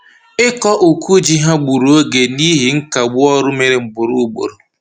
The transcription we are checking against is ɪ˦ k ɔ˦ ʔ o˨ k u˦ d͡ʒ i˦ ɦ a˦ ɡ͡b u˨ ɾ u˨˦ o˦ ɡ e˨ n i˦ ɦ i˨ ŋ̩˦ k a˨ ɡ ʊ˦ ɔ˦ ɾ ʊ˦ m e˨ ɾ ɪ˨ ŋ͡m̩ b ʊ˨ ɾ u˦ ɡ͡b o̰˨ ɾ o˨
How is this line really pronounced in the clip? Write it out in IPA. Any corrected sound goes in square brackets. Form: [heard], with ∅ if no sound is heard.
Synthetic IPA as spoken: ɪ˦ k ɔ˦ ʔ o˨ k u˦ d͡ʒ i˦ ɦ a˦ ɡ͡b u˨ ɾ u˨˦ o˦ ɡ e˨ n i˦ ɦ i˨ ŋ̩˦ k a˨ [ɡ͡b] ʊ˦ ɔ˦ ɾ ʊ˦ m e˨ ɾ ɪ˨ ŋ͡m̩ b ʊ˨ ɾ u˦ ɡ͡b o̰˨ ɾ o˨